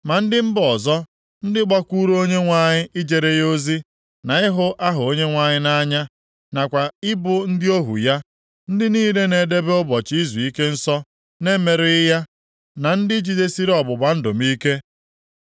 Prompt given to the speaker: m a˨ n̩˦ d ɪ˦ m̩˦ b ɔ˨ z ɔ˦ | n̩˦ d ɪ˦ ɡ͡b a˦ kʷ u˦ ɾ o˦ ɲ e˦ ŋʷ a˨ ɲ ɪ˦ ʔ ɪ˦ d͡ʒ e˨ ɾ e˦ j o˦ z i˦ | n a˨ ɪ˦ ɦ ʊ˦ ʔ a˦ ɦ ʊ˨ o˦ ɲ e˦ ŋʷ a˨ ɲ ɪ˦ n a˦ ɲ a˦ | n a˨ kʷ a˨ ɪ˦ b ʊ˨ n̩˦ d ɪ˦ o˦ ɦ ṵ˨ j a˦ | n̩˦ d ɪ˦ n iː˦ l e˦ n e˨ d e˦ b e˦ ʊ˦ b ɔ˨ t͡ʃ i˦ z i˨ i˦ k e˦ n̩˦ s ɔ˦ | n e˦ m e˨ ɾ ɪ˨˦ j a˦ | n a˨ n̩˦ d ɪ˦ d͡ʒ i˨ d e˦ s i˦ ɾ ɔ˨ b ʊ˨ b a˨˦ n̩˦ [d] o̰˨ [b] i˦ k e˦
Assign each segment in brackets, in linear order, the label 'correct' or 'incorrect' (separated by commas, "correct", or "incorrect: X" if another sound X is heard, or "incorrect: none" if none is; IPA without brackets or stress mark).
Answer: correct, incorrect: m